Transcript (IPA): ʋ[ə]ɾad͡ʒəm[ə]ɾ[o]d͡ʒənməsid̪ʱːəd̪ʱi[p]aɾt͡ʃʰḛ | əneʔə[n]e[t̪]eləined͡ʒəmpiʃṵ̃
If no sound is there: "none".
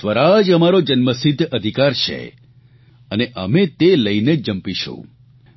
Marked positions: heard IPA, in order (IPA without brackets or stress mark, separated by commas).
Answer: ə, a, o, k, m, t̪